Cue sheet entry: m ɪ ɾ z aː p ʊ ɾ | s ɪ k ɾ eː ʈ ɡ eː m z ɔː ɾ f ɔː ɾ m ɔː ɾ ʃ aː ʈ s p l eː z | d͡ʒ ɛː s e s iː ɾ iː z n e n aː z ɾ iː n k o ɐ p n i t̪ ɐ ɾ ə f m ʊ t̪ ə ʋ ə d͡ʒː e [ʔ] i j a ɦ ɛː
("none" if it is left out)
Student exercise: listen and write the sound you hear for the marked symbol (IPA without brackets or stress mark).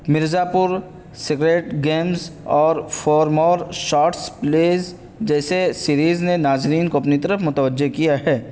k